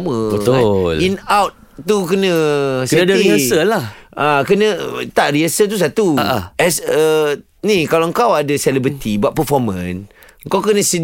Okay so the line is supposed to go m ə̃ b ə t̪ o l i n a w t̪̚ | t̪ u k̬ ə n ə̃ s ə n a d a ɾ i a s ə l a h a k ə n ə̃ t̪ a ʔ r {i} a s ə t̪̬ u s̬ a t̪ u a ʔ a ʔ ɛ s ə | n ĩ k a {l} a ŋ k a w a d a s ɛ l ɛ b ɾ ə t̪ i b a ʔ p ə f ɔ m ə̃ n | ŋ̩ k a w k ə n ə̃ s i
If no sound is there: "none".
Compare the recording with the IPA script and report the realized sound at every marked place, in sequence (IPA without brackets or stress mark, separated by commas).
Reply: i, l